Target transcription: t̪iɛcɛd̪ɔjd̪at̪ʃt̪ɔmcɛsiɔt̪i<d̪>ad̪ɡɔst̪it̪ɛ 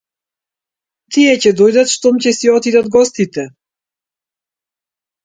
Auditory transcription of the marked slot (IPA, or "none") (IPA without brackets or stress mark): d̪